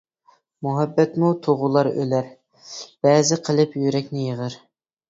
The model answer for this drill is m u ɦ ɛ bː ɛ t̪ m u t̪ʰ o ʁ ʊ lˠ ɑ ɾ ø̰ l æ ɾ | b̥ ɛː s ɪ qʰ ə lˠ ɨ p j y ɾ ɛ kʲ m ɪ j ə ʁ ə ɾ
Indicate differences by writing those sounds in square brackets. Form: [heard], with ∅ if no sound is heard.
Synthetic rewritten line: m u ɦ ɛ bː ɛ t̪ m u t̪ʰ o ʁ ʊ lˠ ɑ ɾ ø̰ l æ ɾ | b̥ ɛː [z] ɪ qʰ ə lˠ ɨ p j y ɾ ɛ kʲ [n] ɪ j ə ʁ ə ɾ